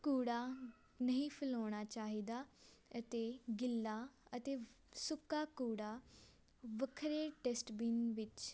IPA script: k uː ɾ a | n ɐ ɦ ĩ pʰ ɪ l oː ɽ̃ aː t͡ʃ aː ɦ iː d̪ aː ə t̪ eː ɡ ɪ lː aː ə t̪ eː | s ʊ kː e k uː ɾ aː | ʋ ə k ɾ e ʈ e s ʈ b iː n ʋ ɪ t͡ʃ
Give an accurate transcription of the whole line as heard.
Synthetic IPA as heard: k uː ɽ a | n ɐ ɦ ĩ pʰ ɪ l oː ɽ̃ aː t͡ʃ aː ɦ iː d̪ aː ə t̪ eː ɡ ɪ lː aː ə t̪ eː | s ʊ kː a k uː ɽ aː | ʋ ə kʰ ɾ e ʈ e s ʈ b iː n ʋ ɪ t͡ʃ

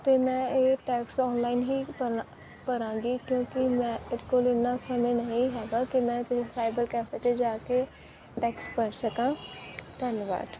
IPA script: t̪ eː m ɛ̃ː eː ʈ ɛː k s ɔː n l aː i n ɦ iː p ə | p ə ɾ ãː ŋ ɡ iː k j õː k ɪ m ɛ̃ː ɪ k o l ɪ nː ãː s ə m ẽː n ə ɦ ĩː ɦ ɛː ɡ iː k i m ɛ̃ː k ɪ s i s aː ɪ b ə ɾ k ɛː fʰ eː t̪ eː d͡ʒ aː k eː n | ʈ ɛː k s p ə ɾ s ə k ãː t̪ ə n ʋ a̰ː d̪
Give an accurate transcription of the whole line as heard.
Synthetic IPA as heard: t̪ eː m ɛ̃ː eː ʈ ɛː k s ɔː n l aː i n ɦ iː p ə | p ə ɾ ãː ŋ ɡ iː k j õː k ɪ m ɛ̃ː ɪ k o l ɪ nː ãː s ə m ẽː n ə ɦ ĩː ɦ ɛː ɡ aː k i m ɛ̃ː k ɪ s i s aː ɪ b ə ɾ k ɛː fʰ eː t̪ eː d͡ʒ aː k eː | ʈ ɛː k s p ə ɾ s ə k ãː t̪ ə n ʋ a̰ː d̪

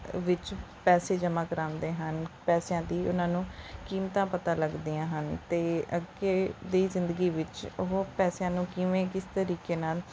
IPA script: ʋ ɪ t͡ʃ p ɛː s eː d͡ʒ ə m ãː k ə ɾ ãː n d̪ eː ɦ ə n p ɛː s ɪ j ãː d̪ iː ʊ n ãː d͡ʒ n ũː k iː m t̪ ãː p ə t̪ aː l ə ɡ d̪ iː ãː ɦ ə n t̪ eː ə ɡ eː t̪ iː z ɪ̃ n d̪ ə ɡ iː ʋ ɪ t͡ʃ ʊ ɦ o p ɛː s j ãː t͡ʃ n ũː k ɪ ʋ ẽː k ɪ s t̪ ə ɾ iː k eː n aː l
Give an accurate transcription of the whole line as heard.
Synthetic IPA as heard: ʋ ɪ t͡ʃ p ɛː s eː d͡ʒ ə m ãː k ə ɾ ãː n d̪ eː ɦ ə n p ɛː s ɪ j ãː d̪ iː ʊ n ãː n ũː k iː m t̪ ãː p ə t̪ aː l ə ɡ d̪ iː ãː ɦ ə n t̪ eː ə ɡ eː d̪ iː z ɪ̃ n d̪ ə ɡ iː ʋ ɪ t͡ʃ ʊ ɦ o p ɛː s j ãː n ũː k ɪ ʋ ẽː k ɪ s t̪ ə ɾ iː k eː n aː l

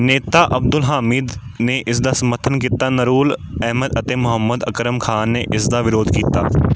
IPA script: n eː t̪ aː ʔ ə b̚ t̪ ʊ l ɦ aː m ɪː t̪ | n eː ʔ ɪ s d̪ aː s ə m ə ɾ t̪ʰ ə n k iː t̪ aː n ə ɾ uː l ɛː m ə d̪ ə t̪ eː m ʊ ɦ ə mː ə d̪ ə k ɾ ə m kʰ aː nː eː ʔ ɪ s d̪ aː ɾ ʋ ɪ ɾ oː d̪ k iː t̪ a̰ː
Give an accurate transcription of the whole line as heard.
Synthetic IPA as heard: n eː t̪ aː ʔ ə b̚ d̪ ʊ l ɦ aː m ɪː d̪ | n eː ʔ ɪ s d̪ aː s ə m ə ɾ t̪ʰ ə n k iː t̪ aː n ə ɾ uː l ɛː m ə d̪ ə t̪ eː m ʊ ɦ ə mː ə d̪ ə k ɾ ə m kʰ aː nː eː ʔ ɪ s d̪ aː ʋ ɪ ɾ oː d̪ k iː t̪ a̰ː

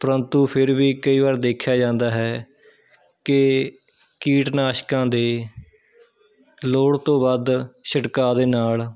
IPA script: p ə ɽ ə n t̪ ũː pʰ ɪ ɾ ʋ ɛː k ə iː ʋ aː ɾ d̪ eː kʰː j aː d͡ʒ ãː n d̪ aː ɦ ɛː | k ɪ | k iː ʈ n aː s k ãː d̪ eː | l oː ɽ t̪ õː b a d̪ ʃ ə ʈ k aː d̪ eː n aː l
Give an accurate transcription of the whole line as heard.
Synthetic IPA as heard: p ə ɾ ə n t̪ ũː pʰ ɪ ɾ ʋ iː k ə iː ʋ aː ɾ d̪ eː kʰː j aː d͡ʒ ãː n d̪ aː ɦ ɛː | k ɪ | k iː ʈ n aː ʃ k ãː d̪ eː | l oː ɽ t̪ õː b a d̪ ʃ ə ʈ k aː d̪ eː n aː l

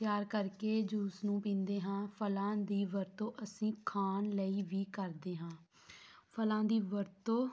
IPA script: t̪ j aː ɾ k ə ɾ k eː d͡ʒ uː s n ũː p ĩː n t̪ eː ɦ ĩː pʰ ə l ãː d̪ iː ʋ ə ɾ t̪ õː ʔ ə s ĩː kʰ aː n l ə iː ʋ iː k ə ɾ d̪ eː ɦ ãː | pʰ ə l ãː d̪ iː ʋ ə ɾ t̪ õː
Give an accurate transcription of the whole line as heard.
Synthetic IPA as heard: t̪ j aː ɾ k ə ɾ k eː d͡ʒ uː s n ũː p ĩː n d̪ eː ɦ ãː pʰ ə l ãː d̪ iː ʋ ə ɾ t̪ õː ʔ ə s ĩː kʰ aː n l ə iː ʋ iː k ə ɾ d̪ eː ɦ ãː | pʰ ə l ãː d̪ iː ʋ ə ɾ t̪ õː

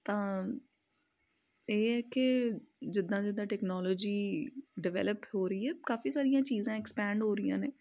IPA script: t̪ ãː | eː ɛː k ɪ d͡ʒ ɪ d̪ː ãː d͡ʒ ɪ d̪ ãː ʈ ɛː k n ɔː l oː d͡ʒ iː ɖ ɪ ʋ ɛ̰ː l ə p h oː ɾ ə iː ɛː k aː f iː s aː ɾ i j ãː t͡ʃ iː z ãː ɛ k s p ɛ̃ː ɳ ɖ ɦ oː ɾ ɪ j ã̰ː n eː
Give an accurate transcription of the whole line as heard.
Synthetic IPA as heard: t̪ ãː | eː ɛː k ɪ d͡ʒ ɪ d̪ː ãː d͡ʒ ɪ d̪ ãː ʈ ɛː k n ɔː l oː d͡ʒ iː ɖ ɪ ʋ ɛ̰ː l ə p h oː ɾ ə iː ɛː k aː f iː s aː ɾ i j ãː t͡ʃ iː z ãː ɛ k s p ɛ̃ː ɳ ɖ ɦ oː ɾ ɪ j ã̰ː n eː

